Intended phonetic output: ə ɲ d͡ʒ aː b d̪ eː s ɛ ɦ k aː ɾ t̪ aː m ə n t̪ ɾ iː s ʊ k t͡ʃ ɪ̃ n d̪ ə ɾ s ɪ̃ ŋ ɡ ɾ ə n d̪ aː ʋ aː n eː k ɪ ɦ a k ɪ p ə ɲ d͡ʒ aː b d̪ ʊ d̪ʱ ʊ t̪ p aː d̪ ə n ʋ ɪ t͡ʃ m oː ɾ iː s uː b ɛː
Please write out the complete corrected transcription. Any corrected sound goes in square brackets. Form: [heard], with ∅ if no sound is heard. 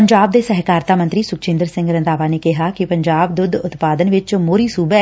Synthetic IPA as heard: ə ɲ d͡ʒ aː b d̪ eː s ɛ ɦ k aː ɾ t̪ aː m ə n t̪ ɾ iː s ʊ k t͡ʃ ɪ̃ n d̪ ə ɾ s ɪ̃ ŋ ɡ ɾ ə n d̪ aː ʋ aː n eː k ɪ ɦ a k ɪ p ə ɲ d͡ʒ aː b d̪ ʊ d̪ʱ ʊ t̪ p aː d̪ ə n ʋ ɪ t͡ʃ m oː ɾ iː s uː b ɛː